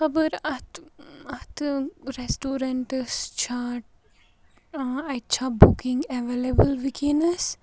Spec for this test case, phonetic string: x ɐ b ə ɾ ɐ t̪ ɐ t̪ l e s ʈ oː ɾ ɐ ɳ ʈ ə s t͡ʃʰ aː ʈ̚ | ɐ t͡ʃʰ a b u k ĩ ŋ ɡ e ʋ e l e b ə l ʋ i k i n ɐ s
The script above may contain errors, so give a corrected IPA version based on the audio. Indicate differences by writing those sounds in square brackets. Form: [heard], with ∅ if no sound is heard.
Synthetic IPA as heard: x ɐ b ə ɾ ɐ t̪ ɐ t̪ [ɾ] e s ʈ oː ɾ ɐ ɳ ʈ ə s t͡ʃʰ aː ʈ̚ | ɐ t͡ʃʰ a b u k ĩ ŋ ɡ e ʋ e l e b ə l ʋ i k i n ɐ s

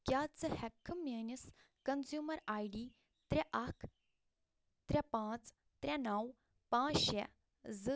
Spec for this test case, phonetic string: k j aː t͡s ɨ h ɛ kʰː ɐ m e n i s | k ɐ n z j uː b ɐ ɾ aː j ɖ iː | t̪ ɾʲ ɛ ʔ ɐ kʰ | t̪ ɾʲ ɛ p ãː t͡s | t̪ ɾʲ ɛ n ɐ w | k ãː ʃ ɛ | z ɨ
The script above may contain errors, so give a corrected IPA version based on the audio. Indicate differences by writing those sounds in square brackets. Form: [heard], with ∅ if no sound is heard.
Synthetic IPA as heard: k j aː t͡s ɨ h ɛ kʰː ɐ m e n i s | k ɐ n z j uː [m] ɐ ɾ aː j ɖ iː | t̪ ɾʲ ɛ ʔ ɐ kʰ | t̪ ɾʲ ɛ p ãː t͡s | t̪ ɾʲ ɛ n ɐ w | [p] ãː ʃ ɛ | z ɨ

